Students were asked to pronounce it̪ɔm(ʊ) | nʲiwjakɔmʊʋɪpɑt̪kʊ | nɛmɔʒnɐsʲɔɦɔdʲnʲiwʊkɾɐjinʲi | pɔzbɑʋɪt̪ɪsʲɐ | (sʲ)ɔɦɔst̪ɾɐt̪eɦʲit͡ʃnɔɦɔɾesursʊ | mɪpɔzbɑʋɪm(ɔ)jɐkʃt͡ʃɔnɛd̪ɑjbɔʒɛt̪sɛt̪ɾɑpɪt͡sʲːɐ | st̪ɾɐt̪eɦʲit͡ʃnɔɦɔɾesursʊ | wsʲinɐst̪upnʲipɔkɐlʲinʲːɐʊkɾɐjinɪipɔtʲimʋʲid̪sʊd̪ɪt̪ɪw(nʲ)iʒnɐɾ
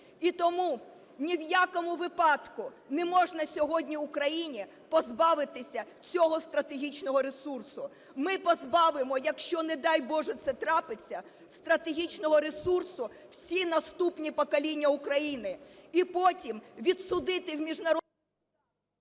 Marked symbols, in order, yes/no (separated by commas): no, no, yes, no